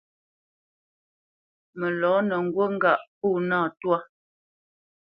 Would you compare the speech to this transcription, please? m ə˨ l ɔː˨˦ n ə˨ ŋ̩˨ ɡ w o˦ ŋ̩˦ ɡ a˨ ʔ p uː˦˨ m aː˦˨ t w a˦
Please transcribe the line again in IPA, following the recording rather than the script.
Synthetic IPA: m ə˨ l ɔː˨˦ n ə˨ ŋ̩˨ ɡ w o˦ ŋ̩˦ ɡ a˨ ʔ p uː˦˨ n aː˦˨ t w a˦